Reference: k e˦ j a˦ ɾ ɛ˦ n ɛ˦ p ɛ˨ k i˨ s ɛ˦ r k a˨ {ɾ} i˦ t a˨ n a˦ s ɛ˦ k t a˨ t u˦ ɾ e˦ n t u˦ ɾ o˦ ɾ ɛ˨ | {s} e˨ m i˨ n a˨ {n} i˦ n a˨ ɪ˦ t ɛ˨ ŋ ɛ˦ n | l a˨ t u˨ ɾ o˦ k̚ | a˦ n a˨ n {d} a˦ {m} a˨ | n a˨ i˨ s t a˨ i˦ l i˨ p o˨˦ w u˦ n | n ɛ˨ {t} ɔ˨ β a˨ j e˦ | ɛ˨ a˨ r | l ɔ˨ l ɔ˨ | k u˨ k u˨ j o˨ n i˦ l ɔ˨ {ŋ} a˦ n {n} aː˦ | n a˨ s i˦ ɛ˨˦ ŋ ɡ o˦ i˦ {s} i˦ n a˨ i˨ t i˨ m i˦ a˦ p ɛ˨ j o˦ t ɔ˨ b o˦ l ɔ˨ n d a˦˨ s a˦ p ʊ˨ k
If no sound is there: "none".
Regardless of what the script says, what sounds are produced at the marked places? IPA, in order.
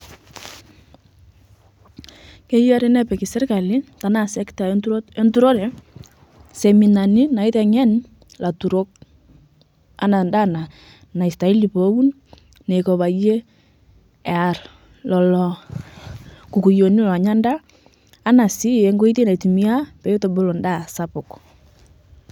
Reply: l, s, n, d, n, k, ɲ, d, t

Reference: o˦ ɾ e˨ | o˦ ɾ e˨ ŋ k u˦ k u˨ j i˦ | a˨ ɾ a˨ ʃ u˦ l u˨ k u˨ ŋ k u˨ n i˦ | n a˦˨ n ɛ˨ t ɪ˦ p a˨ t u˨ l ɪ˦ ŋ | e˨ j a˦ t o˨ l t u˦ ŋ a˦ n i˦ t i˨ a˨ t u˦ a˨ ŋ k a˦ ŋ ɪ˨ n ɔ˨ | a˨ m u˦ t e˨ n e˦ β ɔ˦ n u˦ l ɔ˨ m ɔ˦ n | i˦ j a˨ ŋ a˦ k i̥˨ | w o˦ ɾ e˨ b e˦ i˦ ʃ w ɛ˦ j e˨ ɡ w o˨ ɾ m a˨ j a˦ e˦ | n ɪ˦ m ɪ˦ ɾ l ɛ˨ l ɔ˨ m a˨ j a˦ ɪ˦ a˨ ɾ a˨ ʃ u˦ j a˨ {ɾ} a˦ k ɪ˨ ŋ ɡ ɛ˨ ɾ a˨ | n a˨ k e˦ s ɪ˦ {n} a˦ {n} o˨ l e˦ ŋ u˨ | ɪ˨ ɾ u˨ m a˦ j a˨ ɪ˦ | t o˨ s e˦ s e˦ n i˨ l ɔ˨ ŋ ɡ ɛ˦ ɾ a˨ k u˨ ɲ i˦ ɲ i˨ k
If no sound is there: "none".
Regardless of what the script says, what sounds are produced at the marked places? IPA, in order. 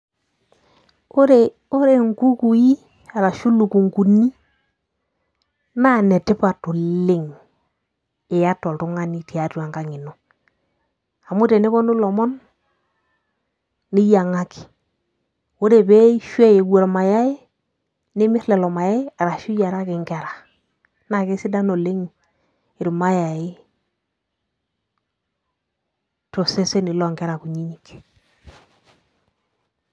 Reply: ɾ, d, n

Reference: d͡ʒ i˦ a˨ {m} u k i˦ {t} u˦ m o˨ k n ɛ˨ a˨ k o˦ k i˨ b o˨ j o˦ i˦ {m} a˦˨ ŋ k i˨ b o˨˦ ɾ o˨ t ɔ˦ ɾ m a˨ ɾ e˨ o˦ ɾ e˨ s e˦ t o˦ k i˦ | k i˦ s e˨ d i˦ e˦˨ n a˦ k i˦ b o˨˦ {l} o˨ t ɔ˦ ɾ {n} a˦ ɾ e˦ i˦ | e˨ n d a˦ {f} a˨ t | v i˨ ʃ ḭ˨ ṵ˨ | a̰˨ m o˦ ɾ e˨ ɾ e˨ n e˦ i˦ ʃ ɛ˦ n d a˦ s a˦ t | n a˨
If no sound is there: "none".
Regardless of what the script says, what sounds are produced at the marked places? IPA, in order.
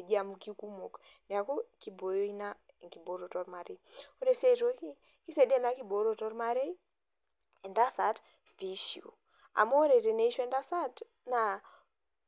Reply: m, k, n, ɾ, m, s

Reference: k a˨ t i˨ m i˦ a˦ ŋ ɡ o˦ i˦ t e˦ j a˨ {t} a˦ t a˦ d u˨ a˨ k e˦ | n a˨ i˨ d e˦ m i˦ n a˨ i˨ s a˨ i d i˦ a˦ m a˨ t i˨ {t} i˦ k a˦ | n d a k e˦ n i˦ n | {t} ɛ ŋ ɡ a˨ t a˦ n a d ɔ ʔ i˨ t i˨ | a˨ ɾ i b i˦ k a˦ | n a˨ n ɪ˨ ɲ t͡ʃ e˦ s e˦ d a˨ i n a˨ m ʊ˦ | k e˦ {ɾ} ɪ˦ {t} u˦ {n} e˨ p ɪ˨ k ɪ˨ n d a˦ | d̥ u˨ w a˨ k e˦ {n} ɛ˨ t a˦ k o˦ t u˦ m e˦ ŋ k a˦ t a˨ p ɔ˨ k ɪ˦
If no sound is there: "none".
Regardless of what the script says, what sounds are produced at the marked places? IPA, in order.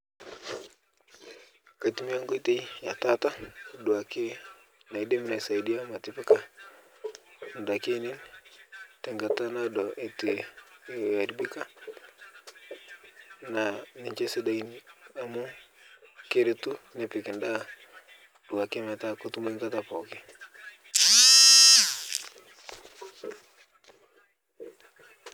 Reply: t, p, t, ɾ, t, n, m

